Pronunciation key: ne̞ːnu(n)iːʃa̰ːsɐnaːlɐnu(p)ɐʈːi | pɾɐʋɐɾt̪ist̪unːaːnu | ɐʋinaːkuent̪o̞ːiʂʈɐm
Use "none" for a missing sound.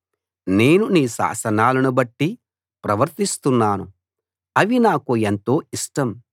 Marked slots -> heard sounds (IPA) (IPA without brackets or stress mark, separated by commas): n, b